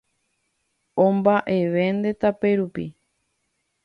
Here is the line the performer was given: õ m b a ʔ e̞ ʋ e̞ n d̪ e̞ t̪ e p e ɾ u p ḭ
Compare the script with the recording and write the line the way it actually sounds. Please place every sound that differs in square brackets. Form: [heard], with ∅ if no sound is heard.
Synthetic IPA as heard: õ m b a ʔ e̞ ʋ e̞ n d̪ e̞ t̪ [a] p e ɾ u p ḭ